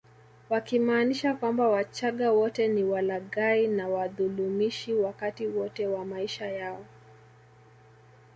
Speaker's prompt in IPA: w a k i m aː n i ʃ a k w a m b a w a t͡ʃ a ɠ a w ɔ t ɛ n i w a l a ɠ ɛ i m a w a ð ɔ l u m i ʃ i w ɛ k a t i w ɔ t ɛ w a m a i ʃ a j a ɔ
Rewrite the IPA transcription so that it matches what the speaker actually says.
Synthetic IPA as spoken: w a k i m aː n i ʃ a k w a m b a w a t͡ʃ a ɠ a w ɔ t ɛ n i w a l a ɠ a i n a w a ð u l u m i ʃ i w a k a t i w ɔ t ɛ w a m a i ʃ a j a ɔ